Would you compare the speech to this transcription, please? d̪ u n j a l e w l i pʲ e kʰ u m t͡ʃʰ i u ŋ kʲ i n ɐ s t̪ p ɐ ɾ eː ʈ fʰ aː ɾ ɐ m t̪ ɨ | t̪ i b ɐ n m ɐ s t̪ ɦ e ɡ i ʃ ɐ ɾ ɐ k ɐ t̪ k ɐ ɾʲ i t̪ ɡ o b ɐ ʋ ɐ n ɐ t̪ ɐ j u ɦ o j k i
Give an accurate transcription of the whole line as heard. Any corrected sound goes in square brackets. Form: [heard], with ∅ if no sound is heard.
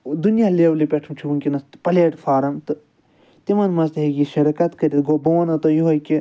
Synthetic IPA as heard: d̪ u n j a l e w l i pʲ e [ʈʰ] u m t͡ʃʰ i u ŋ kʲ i n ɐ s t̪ p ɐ [l] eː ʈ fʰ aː ɾ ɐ m t̪ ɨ | t̪ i [m] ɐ n m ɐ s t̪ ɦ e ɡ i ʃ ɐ ɾ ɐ k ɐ t̪ k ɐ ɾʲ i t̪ ɡ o b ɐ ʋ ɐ n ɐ t̪ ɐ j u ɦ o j k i